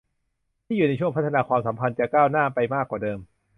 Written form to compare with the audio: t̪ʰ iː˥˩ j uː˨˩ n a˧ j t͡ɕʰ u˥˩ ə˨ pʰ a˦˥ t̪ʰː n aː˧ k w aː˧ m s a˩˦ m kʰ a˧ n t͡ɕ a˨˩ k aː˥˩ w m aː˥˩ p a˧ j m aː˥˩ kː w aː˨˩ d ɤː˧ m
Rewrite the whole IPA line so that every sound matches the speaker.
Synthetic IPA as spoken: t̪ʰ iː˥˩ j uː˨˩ n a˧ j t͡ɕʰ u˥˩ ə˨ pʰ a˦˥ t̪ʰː n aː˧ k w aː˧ m s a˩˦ m pʰ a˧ n t͡ɕ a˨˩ k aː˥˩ w n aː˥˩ p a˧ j m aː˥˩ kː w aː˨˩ d ɤː˧ m

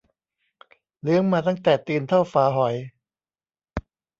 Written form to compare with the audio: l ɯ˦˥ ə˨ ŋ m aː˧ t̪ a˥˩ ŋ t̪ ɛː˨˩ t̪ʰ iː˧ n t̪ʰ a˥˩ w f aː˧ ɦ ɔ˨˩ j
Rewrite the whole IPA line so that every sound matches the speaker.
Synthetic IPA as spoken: l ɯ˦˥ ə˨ ŋ m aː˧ t̪ a˥˩ ŋ t̪ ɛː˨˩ t̪ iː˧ n t̪ʰ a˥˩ w f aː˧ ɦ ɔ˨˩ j

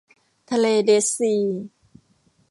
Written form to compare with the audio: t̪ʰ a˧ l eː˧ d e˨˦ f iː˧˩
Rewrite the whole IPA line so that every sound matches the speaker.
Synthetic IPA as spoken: t̪ʰ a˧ l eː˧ d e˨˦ s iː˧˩

